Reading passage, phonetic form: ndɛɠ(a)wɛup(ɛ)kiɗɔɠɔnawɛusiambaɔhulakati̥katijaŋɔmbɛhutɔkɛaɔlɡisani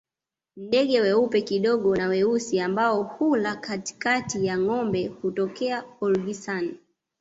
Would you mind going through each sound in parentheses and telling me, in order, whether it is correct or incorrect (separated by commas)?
incorrect, correct